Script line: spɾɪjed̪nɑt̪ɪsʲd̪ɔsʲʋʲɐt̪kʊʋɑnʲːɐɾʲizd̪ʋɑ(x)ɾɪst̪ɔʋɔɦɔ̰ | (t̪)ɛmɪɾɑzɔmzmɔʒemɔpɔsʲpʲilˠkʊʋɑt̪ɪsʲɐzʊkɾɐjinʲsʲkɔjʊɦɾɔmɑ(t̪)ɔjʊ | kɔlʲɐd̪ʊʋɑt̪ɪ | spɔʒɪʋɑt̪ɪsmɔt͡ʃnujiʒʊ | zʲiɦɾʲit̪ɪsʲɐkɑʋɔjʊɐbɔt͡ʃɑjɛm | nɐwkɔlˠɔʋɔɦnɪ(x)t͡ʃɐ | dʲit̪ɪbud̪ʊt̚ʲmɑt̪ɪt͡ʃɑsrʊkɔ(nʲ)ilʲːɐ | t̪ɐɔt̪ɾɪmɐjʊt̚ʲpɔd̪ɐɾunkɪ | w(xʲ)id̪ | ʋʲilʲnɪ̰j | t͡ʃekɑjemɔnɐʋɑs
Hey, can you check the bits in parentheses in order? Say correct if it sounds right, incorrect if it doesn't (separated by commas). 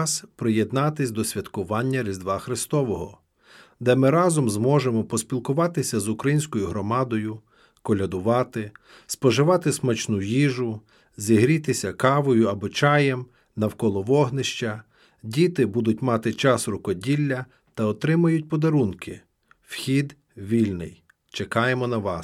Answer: correct, incorrect, incorrect, incorrect, incorrect, correct